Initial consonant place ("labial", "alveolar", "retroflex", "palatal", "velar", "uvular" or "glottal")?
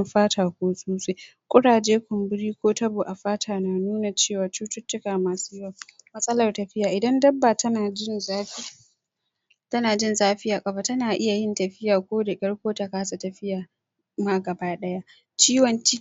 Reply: labial